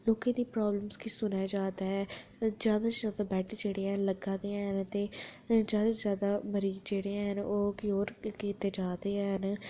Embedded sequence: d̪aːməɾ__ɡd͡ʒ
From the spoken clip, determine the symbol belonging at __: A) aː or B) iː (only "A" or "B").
B